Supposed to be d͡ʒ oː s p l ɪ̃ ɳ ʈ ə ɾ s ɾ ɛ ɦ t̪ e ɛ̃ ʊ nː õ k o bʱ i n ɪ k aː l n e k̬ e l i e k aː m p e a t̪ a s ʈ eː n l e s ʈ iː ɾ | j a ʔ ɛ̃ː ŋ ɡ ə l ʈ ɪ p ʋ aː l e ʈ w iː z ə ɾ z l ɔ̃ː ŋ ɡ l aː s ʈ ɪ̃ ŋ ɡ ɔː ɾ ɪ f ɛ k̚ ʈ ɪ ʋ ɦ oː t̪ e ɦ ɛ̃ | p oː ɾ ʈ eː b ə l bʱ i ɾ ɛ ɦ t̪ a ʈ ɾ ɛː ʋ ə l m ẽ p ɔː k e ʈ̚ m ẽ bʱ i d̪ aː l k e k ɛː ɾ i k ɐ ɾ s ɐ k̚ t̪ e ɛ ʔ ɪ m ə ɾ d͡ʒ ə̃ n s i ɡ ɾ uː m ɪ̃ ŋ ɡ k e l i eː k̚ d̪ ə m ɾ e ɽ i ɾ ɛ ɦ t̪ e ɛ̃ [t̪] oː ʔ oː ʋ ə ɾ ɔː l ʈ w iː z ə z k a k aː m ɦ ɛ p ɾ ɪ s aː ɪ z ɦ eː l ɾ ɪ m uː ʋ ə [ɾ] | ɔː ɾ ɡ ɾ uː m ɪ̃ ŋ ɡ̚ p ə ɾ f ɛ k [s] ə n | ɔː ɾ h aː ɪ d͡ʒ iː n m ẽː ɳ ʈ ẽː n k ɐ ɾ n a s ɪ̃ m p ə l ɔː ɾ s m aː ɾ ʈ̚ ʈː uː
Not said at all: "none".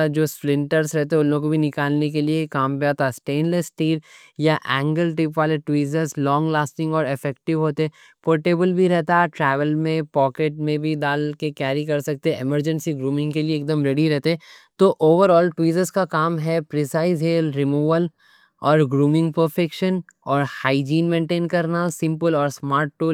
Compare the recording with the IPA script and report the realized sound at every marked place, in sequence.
t̪, l, ʃ

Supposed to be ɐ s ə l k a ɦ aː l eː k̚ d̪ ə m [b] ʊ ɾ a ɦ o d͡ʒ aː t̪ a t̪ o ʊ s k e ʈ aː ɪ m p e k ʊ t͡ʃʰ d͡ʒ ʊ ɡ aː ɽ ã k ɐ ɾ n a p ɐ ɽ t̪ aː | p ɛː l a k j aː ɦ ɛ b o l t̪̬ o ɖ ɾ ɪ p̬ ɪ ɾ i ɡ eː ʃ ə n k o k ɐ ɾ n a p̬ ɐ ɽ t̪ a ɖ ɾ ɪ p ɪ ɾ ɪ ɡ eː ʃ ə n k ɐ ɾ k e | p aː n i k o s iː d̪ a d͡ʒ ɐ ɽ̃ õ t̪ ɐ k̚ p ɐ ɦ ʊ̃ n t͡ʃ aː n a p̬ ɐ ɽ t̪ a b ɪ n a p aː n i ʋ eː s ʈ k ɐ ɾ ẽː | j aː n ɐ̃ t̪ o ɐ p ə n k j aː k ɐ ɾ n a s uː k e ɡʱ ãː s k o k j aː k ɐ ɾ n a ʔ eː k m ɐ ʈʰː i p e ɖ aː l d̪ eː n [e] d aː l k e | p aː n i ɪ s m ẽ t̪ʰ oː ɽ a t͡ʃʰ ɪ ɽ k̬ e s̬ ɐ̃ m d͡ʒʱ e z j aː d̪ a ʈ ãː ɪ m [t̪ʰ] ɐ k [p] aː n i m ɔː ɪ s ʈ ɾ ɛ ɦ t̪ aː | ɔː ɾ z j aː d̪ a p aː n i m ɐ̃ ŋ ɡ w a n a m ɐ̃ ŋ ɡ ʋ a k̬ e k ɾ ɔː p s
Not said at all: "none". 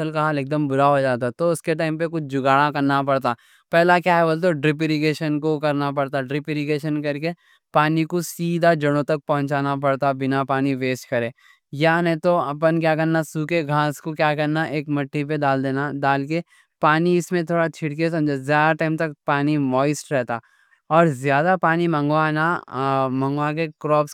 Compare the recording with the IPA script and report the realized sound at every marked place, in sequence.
b, a, t̪, p

